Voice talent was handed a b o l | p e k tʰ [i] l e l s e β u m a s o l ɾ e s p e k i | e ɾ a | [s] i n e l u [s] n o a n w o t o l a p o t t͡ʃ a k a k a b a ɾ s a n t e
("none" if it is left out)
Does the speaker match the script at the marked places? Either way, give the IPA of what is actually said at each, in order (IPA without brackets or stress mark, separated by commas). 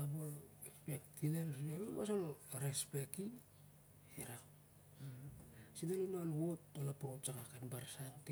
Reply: i, s, none